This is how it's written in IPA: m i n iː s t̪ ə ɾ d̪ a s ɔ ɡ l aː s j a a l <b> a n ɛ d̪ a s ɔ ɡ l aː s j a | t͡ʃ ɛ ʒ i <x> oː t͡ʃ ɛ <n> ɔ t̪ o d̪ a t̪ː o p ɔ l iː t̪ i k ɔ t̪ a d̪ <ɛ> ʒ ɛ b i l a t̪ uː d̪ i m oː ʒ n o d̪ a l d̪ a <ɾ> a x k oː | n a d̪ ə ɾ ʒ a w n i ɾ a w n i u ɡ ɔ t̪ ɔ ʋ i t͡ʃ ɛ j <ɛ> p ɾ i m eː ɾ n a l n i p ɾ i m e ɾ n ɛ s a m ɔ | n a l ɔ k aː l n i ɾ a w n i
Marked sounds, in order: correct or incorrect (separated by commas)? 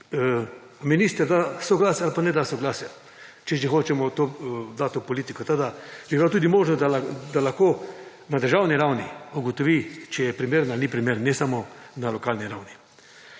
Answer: incorrect, correct, incorrect, incorrect, incorrect, correct